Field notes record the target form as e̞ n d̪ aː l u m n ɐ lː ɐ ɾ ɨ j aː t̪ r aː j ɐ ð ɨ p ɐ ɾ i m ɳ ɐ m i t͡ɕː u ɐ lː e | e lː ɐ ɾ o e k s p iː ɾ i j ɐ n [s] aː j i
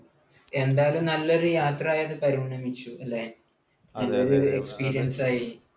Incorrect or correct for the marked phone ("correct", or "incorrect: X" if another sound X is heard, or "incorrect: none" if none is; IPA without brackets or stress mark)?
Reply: correct